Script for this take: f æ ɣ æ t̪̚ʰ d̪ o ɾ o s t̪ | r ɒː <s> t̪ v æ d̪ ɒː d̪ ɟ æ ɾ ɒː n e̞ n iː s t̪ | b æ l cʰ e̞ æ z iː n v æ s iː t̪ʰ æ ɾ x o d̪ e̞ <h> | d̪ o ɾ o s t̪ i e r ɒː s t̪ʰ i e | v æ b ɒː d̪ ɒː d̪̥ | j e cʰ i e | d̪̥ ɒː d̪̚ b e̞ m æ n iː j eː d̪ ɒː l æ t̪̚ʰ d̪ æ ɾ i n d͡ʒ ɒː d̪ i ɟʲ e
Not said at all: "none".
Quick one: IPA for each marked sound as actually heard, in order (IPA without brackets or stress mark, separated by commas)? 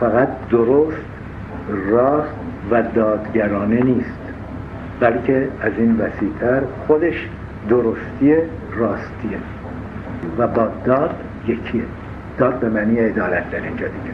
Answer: s, ʃ